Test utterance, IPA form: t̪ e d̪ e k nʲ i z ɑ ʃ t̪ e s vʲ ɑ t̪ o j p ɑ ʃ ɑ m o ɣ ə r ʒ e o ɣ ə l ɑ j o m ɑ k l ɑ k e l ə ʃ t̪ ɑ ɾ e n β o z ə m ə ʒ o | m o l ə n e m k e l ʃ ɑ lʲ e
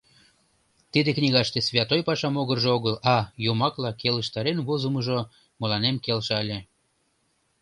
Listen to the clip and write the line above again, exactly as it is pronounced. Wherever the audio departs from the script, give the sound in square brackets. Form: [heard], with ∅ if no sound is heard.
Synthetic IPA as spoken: t̪ [i] d̪ e k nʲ i [ɣ] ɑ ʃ t̪ e s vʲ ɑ t̪ o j p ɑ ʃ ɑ m o ɣ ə r ʒ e o ɣ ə l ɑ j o m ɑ k l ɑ k e l ə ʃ t̪ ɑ ɾ e n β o z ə m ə ʒ o | m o l [ɑ] n e m k e l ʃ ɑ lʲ e

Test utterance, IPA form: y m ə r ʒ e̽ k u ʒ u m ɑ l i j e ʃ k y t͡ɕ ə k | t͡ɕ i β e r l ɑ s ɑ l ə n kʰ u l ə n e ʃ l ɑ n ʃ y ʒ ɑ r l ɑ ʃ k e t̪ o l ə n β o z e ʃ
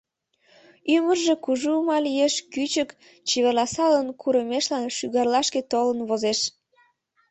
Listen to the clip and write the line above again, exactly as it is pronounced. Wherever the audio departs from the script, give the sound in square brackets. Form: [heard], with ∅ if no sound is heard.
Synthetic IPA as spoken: y m ə r ʒ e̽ k u ʒ u m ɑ l i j e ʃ k y t͡ɕ ə k | t͡ɕ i β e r l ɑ s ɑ l ə n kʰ u [ɾ] ə [m] e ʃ l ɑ n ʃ y [ɣ] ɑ r l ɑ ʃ k e t̪ o l ə n β o z e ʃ

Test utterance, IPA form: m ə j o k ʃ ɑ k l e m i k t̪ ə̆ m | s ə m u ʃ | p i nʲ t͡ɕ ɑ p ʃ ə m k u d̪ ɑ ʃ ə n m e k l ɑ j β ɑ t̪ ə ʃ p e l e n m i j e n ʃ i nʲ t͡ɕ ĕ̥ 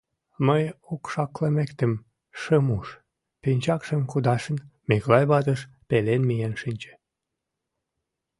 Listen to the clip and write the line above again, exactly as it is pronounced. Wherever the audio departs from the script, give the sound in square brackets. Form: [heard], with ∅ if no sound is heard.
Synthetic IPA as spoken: m ə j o k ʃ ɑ k l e m [e] k t̪ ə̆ m | [ʃ] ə m u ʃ | p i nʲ t͡ɕ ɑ [k] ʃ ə m k u d̪ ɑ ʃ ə n m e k l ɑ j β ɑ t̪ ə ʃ p e l e n m i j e n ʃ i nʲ t͡ɕ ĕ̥

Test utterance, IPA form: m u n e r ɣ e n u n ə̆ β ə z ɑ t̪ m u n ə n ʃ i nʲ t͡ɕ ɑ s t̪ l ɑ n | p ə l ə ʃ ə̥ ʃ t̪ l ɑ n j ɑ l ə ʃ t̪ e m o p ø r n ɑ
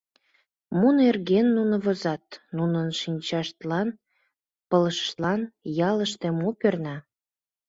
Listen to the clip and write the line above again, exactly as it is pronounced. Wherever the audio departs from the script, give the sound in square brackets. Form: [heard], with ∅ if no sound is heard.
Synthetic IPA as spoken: m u n e r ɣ e [nː] u n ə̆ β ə z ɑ t̪ [n] u n ə n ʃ i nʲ t͡ɕ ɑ [ʃ] t̪ l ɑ n | p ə l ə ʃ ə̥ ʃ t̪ l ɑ n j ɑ l ə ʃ t̪ e m o p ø r n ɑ

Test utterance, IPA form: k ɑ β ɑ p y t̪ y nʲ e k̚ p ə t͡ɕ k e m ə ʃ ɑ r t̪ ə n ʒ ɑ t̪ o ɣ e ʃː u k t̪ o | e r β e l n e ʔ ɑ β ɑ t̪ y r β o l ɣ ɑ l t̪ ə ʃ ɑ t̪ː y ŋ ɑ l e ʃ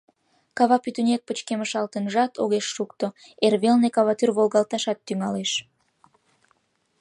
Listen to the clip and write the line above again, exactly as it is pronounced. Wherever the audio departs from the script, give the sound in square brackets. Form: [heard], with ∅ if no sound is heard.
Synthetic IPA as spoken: k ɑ β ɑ p y t̪ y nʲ e k̚ p ə t͡ɕ k e m ə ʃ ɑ [l] t̪ ə n ʒ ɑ t̪ o ɣ e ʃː u k t̪ o | e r β e l n e [k] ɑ β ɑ t̪ y r β o l ɣ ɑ l t̪ [ɑ] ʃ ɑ t̪ː y ŋ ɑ l e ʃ

